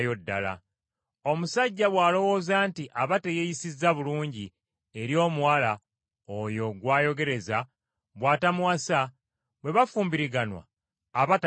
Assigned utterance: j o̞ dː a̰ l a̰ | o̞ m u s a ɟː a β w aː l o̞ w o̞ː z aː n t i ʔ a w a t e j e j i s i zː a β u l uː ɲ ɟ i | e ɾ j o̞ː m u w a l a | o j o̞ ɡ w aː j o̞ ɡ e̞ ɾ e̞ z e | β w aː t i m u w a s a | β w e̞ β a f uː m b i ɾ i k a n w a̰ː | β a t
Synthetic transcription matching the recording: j o̞ dː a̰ l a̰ | o̞ m u s a ɟː a β w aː l o̞ w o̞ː z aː n t i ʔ a β a t e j e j i s i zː a β u l uː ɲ ɟ i | e ɾ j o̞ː m u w a l a | o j o̞ ɡ w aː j o̞ ɡ e̞ ɾ e̞ z a | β w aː t a m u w a s a | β w e̞ β a f uː m b i ɾ i ɡ a n w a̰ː | β a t